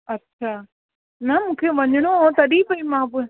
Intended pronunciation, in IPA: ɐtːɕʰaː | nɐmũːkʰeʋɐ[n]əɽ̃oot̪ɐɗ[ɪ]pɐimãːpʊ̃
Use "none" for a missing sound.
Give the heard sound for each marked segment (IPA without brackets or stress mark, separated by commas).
ɲ, i